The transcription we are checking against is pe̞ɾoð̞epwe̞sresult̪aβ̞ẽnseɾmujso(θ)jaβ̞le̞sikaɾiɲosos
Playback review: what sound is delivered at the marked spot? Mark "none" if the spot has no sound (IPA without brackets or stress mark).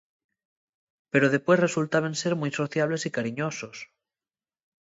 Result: θ